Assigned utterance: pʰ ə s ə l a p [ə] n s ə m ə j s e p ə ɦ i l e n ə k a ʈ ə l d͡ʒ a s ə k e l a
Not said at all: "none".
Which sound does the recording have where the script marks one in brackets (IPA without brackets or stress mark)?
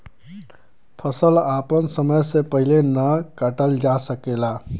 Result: ə